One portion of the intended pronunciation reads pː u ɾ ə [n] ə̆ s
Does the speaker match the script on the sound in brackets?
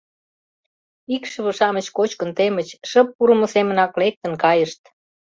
no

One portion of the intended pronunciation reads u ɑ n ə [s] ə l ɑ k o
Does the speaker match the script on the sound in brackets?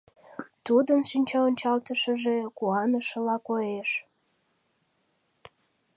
no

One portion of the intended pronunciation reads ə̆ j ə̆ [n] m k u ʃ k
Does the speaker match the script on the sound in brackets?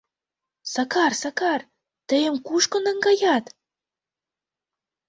no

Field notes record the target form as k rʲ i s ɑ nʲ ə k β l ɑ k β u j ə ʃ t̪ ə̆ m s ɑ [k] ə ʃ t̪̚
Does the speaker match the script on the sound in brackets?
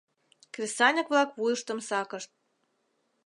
yes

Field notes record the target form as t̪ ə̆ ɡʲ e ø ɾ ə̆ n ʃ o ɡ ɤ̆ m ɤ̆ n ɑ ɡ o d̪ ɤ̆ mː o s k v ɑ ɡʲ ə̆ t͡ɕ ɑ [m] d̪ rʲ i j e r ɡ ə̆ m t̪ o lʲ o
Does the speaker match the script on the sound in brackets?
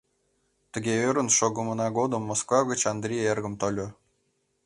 no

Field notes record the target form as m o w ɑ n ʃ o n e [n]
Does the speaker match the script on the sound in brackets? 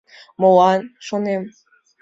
no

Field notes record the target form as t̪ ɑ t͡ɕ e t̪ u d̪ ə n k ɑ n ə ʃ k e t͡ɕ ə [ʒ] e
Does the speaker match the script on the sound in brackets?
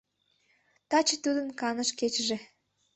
yes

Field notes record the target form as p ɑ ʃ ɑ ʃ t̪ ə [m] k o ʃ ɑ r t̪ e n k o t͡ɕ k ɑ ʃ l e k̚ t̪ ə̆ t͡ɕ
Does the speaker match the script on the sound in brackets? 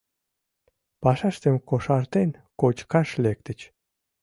yes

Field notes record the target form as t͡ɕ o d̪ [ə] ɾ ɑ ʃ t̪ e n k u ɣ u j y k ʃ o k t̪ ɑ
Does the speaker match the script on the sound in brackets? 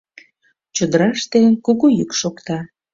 yes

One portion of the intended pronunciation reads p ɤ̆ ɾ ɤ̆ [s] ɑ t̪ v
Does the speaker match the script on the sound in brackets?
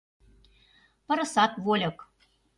yes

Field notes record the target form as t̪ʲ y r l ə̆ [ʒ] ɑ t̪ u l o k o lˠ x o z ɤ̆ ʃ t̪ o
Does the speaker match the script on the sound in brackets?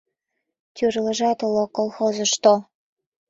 yes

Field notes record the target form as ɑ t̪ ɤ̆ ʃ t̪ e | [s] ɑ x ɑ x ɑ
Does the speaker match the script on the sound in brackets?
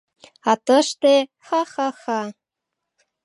no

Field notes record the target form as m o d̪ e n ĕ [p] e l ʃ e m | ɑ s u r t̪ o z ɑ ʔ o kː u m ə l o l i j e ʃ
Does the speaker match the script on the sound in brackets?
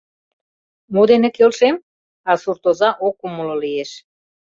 no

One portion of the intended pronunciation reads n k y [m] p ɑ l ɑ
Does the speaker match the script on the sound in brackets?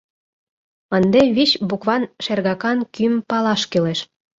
yes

